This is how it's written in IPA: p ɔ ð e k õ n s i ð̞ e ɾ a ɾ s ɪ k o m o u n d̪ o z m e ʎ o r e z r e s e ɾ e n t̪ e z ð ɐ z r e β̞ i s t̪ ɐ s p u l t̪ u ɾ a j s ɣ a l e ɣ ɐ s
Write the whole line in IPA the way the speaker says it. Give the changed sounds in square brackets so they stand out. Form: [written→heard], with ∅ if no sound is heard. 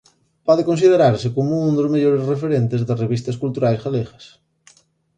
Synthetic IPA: p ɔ ð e k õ n s i ð̞ e ɾ a ɾ s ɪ k o m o u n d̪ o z m e ʎ o [r→ɾ] e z r e [s→f] e ɾ e n t̪ e z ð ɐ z r e β̞ i s t̪ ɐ s [p→k] u l t̪ u ɾ a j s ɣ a l e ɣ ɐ s